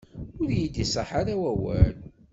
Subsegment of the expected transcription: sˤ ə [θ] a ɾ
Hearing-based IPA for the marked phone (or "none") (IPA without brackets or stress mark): ħ